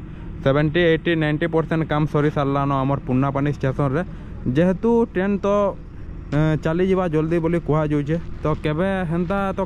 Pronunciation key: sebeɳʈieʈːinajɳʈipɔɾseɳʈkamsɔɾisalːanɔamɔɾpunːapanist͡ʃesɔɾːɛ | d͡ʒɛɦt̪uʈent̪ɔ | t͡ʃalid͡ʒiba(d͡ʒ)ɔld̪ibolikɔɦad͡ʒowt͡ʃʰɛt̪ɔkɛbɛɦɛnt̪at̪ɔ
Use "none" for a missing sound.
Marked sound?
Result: d͡ʒ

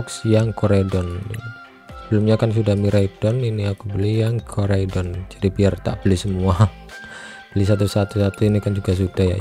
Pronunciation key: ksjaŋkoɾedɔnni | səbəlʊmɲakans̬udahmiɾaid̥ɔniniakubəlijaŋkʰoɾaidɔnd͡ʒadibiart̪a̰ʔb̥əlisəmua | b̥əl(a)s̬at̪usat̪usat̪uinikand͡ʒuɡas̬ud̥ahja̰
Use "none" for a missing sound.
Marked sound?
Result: i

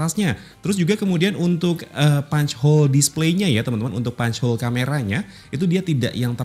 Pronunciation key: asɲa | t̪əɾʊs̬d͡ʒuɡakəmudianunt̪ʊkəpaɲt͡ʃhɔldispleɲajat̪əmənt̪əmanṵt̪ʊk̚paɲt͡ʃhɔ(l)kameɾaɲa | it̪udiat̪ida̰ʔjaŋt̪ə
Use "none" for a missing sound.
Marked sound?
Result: l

